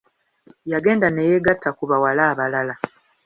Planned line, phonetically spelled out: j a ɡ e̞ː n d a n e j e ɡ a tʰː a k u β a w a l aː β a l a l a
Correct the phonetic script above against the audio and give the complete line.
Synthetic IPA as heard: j a ɡ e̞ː n d a n e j e ɡ a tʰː a k u β a w a l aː β a l a l a